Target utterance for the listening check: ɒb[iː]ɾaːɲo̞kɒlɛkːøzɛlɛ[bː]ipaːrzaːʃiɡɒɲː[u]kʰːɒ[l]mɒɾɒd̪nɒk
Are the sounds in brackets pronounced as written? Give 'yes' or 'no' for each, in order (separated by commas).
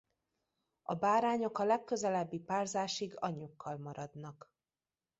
no, yes, yes, yes